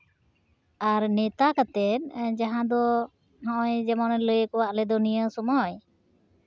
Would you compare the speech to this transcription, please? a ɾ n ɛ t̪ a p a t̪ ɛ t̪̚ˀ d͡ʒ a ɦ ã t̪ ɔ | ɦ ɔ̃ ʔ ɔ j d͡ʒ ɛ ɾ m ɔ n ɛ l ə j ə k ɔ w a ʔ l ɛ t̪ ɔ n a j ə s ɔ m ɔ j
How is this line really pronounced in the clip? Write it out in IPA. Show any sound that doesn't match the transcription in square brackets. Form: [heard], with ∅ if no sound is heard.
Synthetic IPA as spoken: a ɾ n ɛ t̪ a [k] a t̪ ɛ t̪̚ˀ d͡ʒ a ɦ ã [d̪] ɔ | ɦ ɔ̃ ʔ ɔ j d͡ʒ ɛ [∅] m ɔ n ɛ l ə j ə k ɔ w a ʔ l ɛ [d̪] ɔ n [i] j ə s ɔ m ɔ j

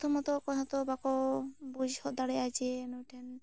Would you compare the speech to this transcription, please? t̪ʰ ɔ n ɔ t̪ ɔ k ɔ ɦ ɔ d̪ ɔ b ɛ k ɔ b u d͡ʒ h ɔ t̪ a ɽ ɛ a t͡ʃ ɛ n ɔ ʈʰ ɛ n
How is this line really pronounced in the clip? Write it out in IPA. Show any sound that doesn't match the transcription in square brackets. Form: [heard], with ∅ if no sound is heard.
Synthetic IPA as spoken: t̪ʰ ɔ [m] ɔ t̪ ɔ k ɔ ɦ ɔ [t̪] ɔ b [a] k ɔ b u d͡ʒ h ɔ [d̪] a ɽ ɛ a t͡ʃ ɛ n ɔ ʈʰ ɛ n

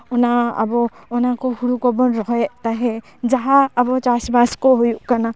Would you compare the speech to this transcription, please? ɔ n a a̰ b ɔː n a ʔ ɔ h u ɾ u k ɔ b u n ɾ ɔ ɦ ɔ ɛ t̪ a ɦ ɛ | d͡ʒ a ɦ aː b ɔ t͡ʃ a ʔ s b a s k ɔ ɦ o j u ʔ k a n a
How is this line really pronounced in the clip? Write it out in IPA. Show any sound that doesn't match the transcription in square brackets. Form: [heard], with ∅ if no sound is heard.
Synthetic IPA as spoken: ɔ n a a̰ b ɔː n a [k] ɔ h u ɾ u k ɔ b [ɔ] n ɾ ɔ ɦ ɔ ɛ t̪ a ɦ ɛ | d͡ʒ a ɦ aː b ɔ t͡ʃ a [∅] s b a s k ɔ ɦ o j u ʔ k a n a

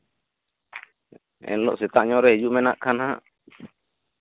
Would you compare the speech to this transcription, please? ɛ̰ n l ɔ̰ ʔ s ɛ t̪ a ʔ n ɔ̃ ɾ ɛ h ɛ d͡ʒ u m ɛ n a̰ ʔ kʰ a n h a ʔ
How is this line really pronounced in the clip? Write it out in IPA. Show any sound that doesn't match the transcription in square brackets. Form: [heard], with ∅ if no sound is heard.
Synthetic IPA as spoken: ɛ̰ n l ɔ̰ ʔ s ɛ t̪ a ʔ [ɲ] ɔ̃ ɾ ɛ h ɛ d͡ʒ u m ɛ n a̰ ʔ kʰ a n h a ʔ

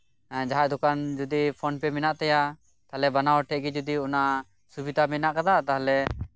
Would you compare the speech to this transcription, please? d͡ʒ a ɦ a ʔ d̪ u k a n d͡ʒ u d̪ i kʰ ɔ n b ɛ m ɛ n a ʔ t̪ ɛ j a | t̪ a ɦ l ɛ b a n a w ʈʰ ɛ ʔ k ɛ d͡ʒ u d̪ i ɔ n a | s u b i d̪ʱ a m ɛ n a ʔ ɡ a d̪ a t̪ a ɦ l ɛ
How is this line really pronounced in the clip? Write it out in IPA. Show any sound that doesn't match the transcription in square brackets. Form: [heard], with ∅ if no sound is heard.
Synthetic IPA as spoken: d͡ʒ a ɦ a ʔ d̪ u k a n d͡ʒ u d̪ i [pʰ] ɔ n [p] ɛ m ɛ n a ʔ t̪ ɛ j a | t̪ a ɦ l ɛ b a n a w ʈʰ ɛ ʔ [ɡ] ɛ d͡ʒ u d̪ i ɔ n a | s u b i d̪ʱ a m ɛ n a ʔ [k] a d̪ a t̪ a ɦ l ɛ

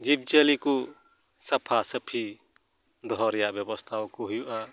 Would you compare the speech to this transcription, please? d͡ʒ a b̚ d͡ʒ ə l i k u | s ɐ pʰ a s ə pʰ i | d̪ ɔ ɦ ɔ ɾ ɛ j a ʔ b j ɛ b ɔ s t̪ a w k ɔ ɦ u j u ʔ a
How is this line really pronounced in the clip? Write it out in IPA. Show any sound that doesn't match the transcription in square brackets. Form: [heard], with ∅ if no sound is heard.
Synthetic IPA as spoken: d͡ʒ [i] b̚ d͡ʒ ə l i k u | s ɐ pʰ a s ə pʰ i | d̪ ɔ ɦ ɔ ɾ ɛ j a ʔ b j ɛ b ɔ s [t̪ʰ] a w k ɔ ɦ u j u ʔ a

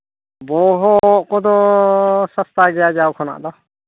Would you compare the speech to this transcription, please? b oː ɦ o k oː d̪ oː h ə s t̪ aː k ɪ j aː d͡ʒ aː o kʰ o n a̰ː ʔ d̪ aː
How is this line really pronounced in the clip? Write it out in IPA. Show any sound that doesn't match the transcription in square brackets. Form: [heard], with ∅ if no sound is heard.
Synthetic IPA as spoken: b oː ɦ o k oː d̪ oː [s] ə s t̪ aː [ɡ] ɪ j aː d͡ʒ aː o kʰ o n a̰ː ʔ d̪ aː

